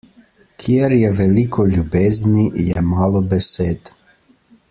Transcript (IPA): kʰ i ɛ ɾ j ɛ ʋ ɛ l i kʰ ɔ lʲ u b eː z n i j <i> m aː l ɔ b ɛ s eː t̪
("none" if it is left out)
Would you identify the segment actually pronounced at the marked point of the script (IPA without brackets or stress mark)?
ɛ